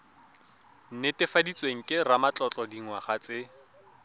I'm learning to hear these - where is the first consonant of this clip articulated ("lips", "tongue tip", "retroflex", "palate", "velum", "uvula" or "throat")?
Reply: tongue tip